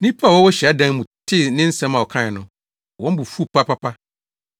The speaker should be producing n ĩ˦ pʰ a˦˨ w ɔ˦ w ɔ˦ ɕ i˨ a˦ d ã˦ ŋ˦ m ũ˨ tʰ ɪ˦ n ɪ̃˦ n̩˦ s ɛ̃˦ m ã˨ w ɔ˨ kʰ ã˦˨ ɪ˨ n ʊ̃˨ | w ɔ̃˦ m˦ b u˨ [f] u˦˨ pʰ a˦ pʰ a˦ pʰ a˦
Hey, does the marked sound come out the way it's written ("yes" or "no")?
yes